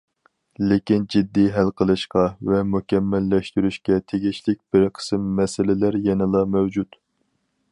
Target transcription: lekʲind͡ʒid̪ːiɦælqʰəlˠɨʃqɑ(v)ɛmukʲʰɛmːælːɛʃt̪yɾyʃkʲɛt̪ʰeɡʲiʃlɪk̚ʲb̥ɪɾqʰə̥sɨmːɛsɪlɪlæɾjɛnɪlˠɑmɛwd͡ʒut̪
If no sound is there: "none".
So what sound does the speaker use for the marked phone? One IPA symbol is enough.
v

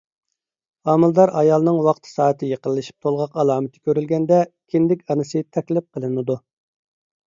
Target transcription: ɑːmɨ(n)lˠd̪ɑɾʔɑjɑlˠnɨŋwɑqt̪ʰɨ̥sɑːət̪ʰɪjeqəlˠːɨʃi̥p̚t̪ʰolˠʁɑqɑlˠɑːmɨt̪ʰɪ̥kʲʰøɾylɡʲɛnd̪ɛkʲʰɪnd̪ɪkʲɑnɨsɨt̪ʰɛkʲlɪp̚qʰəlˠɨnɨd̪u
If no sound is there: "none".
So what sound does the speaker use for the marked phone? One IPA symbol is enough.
none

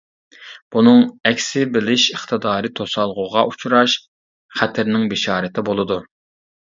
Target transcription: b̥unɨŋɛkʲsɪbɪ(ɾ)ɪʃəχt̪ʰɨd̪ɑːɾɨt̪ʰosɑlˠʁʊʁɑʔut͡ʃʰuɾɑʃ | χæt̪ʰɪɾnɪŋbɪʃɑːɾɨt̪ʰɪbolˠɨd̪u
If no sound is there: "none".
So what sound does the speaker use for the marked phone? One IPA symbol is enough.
l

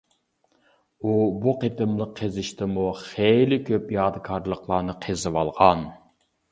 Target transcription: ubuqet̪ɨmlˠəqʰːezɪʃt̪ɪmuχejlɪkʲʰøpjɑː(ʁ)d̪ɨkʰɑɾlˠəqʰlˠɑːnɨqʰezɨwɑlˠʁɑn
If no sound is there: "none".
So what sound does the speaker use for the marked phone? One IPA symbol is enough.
none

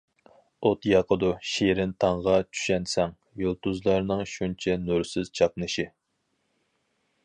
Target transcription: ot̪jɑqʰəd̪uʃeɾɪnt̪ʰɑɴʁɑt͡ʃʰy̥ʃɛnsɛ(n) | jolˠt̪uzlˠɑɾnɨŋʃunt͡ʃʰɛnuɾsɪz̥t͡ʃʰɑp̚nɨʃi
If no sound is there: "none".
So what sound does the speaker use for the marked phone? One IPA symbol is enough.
ŋ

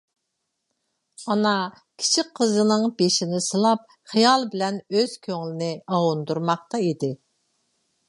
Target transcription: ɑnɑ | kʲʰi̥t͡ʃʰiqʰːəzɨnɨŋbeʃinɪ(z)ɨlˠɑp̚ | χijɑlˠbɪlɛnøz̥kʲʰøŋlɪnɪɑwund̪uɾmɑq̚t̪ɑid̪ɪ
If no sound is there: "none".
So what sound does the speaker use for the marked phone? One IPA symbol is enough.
s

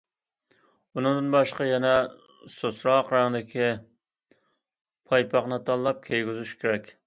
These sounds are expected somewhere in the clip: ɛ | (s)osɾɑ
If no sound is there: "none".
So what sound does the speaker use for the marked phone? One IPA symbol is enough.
s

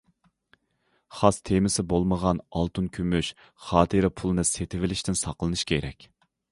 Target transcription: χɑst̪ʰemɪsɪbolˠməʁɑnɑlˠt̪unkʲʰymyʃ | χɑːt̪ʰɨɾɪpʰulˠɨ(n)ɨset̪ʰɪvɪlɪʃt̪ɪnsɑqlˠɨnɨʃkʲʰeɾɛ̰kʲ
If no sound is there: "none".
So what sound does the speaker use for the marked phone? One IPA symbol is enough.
n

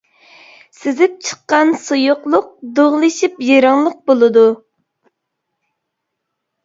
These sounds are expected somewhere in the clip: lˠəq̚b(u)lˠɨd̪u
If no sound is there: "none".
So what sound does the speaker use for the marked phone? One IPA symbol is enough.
o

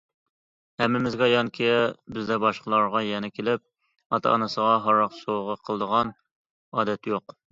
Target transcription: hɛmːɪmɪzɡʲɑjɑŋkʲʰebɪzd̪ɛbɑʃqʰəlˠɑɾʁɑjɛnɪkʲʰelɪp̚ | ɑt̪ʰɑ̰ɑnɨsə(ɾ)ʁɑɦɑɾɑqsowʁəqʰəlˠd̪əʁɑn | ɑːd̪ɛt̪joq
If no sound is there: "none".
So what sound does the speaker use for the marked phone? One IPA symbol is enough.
none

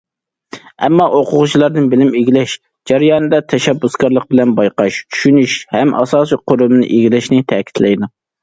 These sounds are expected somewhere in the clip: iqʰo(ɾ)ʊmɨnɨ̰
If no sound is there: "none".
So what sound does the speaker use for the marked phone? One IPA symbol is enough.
ɾ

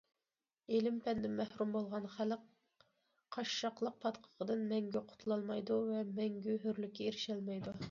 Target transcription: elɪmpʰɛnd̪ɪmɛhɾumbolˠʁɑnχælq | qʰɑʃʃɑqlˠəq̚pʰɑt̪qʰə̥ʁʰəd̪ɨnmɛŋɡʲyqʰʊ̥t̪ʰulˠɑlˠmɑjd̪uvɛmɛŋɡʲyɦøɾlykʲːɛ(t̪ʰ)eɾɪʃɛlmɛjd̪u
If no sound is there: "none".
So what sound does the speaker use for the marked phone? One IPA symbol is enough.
none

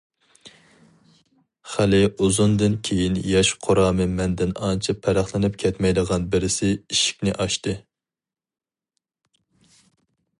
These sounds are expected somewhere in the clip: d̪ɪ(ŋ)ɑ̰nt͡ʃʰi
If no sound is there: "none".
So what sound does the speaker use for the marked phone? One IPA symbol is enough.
n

